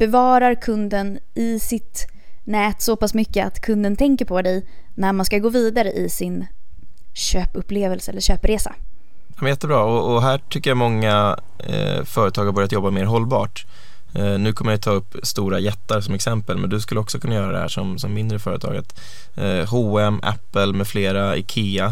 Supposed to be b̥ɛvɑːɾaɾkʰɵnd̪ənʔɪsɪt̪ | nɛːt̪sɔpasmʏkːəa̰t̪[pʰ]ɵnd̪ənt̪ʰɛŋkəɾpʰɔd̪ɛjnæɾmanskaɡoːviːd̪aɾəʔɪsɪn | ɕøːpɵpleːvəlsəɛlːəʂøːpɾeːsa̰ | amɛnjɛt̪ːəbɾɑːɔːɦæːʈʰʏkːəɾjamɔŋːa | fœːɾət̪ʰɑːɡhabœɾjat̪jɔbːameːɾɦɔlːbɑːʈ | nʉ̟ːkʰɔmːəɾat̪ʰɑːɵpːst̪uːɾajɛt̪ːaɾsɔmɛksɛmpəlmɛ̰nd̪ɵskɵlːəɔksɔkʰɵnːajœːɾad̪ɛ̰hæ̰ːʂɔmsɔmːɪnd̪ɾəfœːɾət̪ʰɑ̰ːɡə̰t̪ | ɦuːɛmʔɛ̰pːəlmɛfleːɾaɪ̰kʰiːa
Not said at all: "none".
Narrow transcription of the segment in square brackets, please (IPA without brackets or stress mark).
kʰ